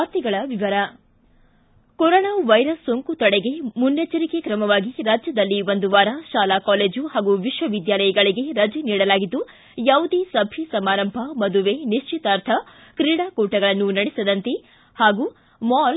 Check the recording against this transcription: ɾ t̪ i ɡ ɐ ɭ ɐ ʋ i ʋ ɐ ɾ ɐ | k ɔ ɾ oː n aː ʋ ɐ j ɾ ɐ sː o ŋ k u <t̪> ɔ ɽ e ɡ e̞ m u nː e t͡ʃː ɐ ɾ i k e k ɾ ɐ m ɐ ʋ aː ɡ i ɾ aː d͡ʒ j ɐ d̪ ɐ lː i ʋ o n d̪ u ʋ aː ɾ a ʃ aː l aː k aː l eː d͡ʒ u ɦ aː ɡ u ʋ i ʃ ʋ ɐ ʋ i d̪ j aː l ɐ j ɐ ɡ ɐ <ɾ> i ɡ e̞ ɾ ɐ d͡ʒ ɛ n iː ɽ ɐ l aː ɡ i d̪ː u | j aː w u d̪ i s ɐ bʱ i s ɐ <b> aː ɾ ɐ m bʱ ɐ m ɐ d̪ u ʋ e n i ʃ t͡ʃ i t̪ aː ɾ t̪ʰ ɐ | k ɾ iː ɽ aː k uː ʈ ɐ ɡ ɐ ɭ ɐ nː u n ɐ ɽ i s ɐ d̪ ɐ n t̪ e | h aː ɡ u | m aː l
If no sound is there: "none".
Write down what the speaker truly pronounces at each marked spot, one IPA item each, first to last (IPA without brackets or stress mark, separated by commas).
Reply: t̪, ɭ, m